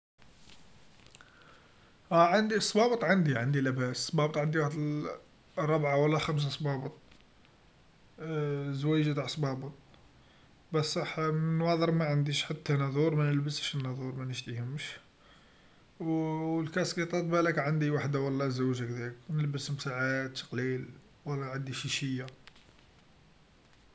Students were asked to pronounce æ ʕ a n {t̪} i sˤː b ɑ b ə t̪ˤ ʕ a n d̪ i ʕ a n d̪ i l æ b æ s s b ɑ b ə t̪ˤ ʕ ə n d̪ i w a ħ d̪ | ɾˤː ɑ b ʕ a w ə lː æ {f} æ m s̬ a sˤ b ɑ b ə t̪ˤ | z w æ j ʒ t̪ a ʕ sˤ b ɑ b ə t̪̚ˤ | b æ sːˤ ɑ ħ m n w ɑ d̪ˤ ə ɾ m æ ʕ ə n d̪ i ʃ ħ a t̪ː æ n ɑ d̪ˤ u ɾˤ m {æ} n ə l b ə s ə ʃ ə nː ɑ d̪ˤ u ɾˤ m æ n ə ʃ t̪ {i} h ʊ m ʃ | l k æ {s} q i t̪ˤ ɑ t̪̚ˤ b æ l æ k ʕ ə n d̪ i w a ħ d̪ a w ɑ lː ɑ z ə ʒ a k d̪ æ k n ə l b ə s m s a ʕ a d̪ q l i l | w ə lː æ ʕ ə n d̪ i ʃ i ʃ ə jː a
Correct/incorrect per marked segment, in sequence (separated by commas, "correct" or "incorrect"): incorrect, incorrect, correct, correct, correct